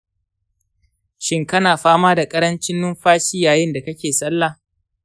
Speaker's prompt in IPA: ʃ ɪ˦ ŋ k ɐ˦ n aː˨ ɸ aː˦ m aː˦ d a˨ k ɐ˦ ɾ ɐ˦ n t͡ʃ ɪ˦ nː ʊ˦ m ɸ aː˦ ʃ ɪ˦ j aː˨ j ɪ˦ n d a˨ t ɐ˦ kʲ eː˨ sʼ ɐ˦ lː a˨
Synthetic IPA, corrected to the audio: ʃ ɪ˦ ŋ k ɐ˦ n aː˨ ɸ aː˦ m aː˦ d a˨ kʼ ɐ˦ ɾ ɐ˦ n t͡ʃ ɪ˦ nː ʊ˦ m ɸ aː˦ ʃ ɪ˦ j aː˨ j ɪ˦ n d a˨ k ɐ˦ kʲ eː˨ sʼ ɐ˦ lː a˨